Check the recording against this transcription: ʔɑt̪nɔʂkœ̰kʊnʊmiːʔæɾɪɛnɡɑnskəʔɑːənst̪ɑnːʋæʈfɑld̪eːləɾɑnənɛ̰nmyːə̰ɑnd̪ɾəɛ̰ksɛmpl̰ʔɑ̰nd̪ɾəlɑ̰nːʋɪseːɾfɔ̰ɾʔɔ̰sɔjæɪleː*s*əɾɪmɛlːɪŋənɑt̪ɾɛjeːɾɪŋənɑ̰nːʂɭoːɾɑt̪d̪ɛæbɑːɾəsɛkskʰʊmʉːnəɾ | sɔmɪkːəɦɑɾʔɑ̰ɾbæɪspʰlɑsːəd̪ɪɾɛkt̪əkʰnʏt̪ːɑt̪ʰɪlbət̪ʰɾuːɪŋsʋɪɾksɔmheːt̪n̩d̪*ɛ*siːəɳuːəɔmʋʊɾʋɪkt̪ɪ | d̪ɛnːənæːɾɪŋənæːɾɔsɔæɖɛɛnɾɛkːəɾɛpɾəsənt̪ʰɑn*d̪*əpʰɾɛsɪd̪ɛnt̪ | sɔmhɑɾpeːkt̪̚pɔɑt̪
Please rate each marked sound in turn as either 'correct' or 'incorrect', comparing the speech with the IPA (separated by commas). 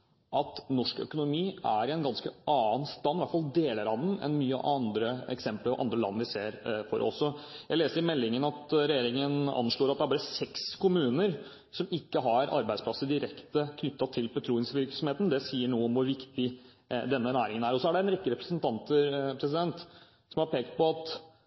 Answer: correct, correct, incorrect